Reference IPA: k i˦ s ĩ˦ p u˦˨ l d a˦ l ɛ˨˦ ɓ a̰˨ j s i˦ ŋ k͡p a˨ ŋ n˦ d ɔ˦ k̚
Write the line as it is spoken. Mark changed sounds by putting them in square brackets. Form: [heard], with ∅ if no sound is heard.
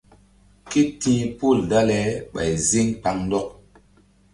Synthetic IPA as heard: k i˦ [t] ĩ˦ p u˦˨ l d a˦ l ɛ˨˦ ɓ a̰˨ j [z] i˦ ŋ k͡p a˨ ŋ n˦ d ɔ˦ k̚